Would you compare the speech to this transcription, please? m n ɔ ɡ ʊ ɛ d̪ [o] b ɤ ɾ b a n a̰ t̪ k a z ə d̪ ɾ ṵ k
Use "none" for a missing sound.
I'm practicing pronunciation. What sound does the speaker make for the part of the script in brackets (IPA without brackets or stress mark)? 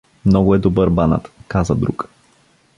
o